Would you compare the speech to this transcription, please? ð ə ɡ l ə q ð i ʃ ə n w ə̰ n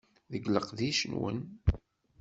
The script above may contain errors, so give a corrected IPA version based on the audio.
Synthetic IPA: ð ə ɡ l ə q ð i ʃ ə n w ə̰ n